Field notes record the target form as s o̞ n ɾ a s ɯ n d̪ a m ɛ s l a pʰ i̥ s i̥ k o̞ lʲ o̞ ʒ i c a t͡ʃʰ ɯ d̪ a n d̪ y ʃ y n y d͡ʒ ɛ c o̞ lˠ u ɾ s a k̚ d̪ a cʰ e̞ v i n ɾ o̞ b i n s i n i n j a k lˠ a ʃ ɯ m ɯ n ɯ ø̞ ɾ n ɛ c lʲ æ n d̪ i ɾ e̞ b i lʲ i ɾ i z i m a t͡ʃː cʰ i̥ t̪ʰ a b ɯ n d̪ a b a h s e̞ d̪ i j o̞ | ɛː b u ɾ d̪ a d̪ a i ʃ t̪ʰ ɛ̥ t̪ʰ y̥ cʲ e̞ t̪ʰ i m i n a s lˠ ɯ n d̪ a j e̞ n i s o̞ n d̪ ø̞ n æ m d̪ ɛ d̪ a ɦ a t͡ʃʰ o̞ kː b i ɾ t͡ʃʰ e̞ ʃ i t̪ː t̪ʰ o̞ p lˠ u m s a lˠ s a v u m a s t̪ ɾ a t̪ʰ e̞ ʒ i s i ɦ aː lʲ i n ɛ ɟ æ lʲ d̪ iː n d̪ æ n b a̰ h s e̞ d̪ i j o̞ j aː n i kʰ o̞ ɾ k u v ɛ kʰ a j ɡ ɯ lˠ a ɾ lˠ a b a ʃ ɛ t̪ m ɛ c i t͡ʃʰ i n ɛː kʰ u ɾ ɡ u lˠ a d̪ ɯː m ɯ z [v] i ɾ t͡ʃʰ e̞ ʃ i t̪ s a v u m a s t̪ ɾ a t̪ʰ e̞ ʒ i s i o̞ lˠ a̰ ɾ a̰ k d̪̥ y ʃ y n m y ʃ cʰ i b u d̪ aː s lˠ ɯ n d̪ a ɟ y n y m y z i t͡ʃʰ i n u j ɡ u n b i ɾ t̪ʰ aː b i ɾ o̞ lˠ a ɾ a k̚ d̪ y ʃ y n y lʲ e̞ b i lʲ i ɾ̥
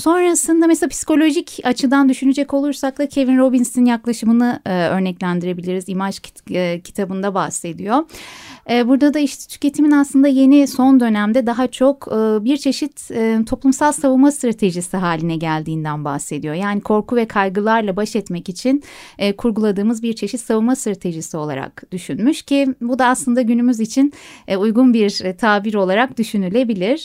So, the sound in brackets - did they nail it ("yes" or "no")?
no